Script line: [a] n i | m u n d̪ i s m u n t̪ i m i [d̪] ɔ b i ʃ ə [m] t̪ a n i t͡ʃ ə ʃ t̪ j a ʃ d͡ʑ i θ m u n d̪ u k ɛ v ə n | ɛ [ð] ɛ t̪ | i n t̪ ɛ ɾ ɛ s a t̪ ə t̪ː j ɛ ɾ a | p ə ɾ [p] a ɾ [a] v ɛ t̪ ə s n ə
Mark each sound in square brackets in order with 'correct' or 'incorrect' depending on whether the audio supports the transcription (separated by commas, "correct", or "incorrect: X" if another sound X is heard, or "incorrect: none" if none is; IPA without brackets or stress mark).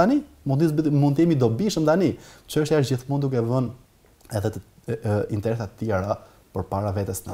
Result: correct, correct, correct, correct, correct, correct